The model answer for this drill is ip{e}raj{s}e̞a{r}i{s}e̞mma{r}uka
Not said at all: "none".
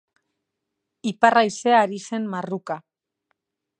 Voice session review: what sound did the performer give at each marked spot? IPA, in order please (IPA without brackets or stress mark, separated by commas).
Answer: a, s, ɾ, s, r